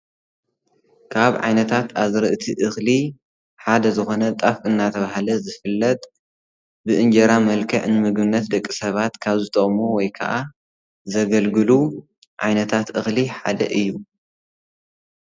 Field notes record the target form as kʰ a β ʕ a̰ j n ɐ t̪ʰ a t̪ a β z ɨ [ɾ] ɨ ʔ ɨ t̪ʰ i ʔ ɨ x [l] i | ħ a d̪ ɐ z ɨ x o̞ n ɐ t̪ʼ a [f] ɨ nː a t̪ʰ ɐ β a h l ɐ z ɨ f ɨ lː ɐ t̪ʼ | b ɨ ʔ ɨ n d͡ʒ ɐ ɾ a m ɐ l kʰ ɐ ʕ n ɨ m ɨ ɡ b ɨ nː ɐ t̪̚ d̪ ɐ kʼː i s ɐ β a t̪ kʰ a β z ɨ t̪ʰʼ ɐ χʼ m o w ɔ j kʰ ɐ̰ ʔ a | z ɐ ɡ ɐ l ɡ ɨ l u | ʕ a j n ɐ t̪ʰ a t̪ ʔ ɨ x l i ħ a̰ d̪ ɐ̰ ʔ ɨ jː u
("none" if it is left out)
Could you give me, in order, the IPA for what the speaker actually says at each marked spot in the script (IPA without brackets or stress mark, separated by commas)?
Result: ɾ, l, f